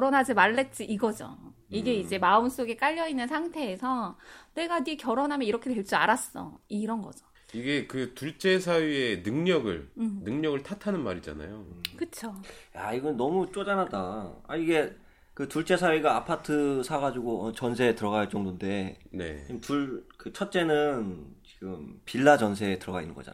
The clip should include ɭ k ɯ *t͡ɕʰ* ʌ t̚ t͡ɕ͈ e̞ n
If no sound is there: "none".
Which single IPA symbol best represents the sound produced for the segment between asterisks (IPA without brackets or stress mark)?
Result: t͡ɕʰ